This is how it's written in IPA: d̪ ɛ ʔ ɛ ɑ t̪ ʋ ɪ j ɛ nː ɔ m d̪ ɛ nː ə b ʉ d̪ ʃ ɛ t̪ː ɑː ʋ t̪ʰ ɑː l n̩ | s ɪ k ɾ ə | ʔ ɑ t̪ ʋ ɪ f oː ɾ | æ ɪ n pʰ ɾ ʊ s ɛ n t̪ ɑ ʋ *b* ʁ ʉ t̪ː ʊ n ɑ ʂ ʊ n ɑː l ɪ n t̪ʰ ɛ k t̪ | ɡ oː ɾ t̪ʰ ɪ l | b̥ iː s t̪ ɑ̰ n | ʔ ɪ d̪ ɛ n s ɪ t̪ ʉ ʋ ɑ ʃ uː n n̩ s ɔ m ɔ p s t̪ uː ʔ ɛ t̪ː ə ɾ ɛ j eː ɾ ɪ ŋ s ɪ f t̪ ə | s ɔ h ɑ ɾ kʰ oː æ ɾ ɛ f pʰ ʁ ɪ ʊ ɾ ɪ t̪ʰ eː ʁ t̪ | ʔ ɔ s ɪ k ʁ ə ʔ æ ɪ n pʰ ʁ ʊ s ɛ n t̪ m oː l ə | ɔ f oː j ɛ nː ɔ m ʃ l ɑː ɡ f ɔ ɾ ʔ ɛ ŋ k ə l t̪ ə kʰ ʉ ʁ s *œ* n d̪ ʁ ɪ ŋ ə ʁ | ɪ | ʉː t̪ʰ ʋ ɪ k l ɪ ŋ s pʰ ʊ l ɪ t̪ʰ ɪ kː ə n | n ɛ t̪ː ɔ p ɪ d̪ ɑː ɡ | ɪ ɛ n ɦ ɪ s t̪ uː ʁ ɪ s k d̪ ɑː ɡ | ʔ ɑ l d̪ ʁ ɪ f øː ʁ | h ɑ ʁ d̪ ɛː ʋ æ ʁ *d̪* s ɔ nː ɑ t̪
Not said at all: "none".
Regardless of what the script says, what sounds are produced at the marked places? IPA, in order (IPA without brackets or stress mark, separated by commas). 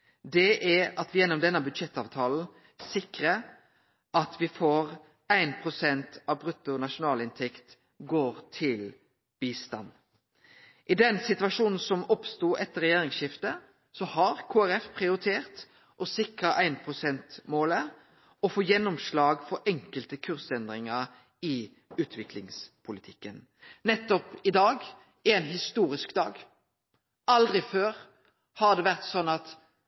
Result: b, ɛ, t̪